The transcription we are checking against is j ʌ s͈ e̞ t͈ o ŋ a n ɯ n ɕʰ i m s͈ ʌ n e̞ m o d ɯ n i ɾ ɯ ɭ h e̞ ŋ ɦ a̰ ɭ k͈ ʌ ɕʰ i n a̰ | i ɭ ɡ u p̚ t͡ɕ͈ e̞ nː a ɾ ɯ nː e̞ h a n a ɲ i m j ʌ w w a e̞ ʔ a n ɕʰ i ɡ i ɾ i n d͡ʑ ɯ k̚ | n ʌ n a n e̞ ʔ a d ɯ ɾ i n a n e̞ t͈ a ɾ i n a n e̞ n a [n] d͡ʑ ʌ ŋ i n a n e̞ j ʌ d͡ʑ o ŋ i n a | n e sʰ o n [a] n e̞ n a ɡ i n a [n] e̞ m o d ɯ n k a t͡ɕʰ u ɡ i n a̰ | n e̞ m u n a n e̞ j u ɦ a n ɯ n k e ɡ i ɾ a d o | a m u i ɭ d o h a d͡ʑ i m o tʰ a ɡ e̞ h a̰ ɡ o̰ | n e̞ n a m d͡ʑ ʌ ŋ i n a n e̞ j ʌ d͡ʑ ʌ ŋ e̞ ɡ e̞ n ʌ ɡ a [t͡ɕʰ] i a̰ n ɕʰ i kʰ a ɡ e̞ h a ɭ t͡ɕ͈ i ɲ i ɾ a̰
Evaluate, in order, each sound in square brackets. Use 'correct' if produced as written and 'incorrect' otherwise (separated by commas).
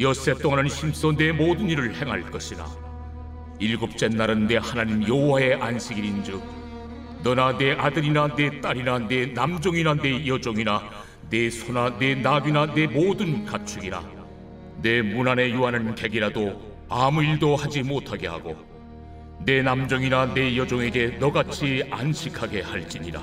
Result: incorrect, correct, correct, correct